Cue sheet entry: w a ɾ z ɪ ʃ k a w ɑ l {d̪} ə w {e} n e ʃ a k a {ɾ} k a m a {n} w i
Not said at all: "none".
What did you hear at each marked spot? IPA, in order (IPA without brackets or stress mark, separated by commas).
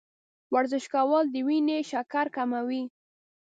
d̪, i, ɾ, none